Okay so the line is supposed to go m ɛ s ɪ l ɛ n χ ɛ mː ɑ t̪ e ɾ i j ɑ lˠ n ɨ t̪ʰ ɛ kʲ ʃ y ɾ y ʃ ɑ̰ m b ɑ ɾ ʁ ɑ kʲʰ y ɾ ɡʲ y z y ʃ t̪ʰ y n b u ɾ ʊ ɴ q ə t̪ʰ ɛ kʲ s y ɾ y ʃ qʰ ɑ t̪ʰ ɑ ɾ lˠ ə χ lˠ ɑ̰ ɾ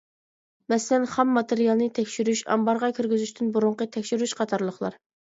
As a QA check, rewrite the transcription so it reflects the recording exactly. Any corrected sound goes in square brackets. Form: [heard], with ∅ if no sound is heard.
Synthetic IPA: m ɛ s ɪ l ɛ n χ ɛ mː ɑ t̪ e ɾ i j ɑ lˠ n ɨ t̪ʰ ɛ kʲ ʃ y ɾ y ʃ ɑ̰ m b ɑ ɾ ʁ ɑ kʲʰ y ɾ ɡʲ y z y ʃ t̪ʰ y n b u ɾ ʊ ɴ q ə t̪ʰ ɛ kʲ [ʃ] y ɾ y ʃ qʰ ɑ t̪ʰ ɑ ɾ lˠ ə χ lˠ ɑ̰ ɾ